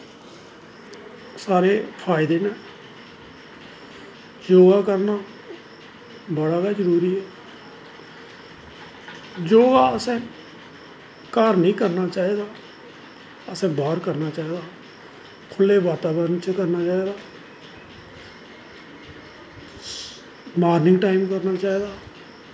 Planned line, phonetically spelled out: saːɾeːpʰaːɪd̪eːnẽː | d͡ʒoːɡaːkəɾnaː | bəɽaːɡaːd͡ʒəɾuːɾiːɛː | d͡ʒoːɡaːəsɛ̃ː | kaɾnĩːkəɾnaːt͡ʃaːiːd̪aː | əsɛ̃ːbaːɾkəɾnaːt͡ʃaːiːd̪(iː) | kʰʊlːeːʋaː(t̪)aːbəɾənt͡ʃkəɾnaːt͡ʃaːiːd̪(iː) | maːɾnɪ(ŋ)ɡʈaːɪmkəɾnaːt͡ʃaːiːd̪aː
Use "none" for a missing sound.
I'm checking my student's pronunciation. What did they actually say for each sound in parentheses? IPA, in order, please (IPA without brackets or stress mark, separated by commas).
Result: aː, t̪, aː, ŋ